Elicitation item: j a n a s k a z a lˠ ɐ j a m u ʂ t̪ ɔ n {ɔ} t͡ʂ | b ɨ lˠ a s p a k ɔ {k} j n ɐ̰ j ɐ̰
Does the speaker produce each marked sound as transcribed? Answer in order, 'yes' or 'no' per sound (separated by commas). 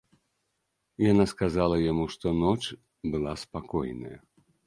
yes, no